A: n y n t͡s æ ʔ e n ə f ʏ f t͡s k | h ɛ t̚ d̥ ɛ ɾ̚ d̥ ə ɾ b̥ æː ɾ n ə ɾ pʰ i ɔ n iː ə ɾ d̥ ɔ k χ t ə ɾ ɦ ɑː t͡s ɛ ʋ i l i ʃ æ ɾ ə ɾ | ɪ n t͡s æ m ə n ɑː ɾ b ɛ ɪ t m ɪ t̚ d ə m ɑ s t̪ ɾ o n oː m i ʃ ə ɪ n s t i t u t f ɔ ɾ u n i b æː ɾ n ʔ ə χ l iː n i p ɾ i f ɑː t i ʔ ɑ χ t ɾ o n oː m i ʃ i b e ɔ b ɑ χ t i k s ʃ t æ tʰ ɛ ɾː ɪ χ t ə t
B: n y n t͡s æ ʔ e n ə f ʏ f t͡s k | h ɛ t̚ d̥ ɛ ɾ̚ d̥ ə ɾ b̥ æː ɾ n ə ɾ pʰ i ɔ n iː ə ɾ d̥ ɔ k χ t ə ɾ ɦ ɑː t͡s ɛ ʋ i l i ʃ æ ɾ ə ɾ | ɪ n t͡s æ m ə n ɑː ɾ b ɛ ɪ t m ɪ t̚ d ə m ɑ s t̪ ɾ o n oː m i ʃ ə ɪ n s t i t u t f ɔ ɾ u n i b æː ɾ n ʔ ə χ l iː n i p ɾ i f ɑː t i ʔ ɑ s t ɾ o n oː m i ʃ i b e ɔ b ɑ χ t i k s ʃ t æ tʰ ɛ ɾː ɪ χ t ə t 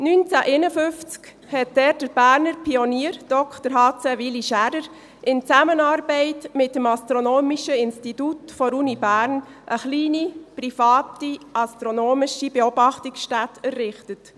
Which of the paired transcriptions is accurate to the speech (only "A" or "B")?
B